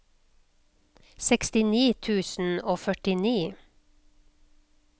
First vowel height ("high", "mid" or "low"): mid